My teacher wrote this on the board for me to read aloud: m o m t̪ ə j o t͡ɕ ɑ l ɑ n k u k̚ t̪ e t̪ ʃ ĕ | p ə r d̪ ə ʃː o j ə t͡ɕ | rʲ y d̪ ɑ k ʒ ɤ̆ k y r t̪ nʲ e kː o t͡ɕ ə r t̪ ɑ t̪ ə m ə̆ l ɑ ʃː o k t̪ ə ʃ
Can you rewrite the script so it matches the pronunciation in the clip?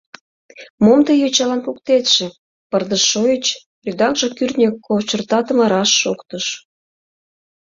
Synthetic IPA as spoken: m o m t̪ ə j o t͡ɕ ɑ l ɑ n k u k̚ t̪ e t̪ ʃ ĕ | p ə r d̪ ə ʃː o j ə t͡ɕ | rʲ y d̪ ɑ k ʒ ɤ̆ k y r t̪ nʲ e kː o t͡ɕ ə r t̪ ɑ t̪ ə m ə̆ ɾ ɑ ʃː o k t̪ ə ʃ